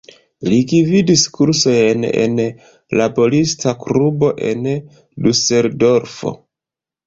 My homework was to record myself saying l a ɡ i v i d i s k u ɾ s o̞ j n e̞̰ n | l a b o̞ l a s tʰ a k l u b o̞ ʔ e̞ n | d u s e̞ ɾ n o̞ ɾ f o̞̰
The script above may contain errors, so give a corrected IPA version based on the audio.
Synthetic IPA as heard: l i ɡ i v i d i s k u ɾ s o̞ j n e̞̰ n | l a b o̞ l i s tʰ a k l u b o̞ ʔ e̞ n | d u s e̞ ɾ d o̞ ɾ f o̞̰